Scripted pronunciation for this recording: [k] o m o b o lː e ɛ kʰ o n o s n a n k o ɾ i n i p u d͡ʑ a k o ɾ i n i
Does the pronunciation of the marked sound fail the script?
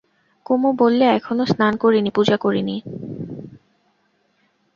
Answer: no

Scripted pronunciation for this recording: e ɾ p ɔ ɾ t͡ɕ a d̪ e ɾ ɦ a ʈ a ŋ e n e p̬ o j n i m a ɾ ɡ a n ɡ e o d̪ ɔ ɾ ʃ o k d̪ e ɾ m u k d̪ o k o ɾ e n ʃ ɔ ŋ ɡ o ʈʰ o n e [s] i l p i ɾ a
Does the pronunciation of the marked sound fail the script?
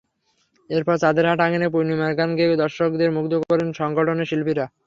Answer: yes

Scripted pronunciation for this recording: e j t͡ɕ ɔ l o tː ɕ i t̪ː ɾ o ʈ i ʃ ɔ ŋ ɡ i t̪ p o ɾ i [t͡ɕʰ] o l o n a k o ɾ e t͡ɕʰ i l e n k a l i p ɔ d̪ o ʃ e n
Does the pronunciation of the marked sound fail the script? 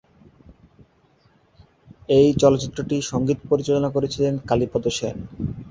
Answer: yes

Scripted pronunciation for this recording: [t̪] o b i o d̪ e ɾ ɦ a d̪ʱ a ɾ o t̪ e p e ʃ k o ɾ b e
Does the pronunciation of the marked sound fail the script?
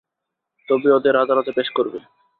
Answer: no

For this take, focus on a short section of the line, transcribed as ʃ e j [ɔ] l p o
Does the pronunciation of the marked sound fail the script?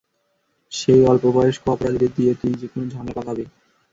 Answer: no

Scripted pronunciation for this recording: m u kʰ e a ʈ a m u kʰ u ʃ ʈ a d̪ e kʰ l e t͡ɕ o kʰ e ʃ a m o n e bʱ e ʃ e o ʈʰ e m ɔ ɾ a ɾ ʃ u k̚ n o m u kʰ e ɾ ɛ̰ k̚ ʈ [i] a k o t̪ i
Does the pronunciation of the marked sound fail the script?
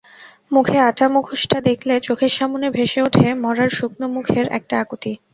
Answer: yes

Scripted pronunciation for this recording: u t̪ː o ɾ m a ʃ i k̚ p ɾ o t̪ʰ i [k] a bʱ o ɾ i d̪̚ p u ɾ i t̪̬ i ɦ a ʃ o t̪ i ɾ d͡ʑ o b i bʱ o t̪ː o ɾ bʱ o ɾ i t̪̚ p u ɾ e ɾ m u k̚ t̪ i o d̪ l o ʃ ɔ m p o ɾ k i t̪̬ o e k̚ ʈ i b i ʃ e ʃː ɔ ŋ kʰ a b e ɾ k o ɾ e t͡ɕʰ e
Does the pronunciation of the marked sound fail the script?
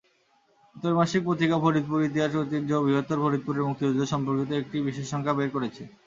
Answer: no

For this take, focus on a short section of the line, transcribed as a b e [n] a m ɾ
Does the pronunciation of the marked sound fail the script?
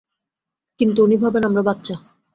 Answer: no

